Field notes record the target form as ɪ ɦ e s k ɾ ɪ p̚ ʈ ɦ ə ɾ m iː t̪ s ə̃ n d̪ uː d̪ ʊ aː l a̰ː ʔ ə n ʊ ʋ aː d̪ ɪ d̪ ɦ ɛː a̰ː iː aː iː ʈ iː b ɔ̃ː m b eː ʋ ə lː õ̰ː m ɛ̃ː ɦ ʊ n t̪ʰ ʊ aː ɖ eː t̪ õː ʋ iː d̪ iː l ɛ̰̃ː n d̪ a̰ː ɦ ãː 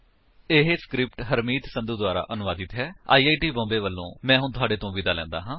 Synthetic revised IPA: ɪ ɦ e s k ɾ ɪ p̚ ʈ ɦ ə ɾ m iː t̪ s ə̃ n d̪ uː d̪ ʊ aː ɾ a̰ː ʔ ə n ʊ ʋ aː d̪ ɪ t̪ ɦ ɛː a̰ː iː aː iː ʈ iː b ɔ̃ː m b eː ʋ ə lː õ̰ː m ɛ̃ː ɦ ʊ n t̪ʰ ʊ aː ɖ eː t̪ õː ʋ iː d̪ aː l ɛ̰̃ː n d̪ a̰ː ɦ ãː